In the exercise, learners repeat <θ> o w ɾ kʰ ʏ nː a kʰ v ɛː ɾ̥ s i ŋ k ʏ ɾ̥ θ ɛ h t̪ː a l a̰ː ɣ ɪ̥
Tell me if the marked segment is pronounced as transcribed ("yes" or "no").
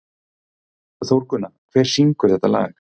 yes